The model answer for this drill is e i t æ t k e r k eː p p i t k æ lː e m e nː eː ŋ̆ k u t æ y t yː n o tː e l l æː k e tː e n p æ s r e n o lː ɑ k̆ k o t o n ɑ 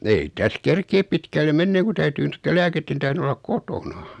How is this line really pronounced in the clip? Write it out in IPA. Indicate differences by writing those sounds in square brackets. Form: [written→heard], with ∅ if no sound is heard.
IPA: e i t æ [t→s] k e r k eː p p i t k æ lː e m e nː eː ŋ̆ k u t æ y t yː n o tː e l l æː k e tː e n [p→t] æ [s→h] r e n o lː ɑ k̆ k o t o n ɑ